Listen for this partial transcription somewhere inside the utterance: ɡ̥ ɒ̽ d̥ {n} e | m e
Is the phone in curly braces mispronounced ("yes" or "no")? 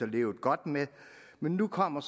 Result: yes